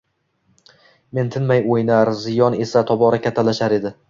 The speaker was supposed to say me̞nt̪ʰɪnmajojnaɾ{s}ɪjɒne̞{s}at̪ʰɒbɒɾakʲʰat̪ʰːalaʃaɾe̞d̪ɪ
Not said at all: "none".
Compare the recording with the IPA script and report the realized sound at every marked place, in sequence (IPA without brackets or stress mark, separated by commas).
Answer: z, s